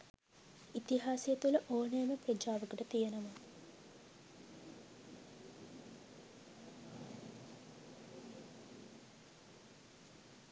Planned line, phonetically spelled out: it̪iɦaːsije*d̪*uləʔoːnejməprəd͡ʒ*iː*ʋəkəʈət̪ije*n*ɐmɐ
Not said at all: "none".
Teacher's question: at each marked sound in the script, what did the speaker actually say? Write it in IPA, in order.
t̪, aː, n

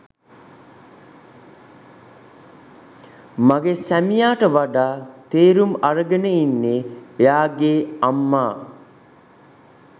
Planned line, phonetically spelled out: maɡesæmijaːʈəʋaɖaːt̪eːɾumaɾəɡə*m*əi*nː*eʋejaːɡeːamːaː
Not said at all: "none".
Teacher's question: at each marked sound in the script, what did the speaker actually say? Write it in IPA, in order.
n, nː

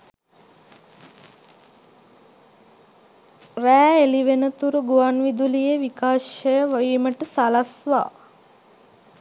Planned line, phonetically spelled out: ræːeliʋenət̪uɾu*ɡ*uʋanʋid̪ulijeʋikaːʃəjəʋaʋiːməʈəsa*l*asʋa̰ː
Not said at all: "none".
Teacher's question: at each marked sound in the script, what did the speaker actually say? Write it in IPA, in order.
ɡ, l

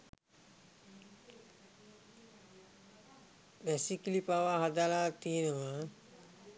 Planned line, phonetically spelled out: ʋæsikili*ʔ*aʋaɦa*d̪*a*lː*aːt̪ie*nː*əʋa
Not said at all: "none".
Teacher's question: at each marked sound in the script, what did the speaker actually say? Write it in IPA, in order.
p, d̪, l, n

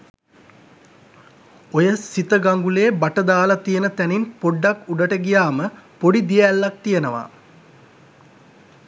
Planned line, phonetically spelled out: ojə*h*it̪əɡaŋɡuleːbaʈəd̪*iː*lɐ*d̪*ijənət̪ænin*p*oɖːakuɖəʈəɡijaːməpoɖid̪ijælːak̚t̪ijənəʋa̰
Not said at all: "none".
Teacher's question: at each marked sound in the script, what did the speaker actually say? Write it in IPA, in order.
s, aː, t̪, p

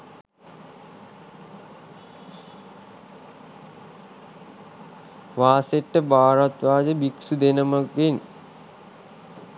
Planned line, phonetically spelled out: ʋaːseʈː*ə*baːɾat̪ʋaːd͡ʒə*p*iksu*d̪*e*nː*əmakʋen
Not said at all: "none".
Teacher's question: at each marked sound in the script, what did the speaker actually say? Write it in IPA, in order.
ə, b, d̪, n

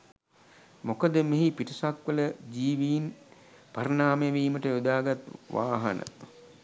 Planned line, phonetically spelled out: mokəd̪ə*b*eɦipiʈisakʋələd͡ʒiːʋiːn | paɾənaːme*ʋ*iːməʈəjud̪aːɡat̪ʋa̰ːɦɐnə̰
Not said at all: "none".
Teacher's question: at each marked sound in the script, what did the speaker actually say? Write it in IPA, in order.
m, ʋ

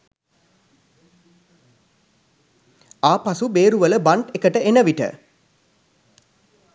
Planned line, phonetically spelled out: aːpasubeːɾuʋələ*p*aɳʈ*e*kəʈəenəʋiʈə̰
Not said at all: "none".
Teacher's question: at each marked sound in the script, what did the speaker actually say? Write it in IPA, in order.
b, e

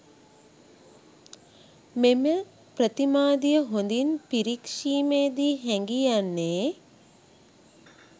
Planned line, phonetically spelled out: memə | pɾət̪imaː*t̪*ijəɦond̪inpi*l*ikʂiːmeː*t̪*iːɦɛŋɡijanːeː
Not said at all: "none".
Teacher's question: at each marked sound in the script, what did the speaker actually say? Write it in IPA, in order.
d̪, ɾ, d̪

